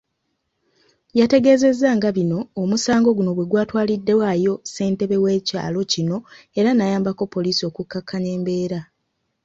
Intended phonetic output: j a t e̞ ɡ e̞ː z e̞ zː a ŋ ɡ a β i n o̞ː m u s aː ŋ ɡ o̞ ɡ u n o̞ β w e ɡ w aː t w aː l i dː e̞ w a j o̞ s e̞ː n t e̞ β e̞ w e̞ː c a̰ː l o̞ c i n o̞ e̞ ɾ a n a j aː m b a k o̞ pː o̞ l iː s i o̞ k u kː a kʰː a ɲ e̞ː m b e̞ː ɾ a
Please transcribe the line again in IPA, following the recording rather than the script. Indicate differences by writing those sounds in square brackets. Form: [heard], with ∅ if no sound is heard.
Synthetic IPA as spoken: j a t e̞ ɡ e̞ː z e̞ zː a ŋ ɡ a β i n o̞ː m u s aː ŋ ɡ o̞ ɡ u n o̞ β w e ɡ w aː t w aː l i dː e̞ w a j o̞ s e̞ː n t e̞ β e̞ w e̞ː c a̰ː l o̞ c i n o̞ e̞ ɾ a n a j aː m b a k o̞ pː o̞ l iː s i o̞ k u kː a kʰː a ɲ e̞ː m b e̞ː ɾ a